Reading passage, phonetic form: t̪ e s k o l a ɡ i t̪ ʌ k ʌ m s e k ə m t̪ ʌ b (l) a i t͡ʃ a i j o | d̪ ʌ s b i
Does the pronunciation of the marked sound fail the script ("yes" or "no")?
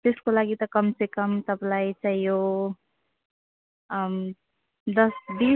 no